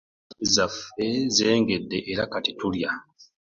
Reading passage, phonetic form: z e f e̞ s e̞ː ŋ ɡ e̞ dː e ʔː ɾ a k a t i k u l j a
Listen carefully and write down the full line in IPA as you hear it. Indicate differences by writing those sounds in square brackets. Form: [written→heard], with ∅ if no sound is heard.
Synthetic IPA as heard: z [e→a] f e̞ [s→z] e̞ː ŋ ɡ e̞ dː e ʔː ɾ a k a t i [k→t] u l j a